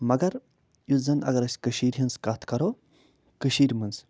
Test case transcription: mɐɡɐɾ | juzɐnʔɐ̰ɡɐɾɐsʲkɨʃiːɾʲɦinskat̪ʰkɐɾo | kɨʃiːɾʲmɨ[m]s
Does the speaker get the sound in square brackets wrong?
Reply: yes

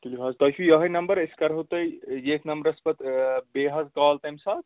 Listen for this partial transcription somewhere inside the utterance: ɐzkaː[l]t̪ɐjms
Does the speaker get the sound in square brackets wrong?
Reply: no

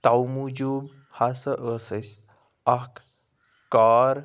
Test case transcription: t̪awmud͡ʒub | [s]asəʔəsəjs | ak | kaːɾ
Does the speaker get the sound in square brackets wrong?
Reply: yes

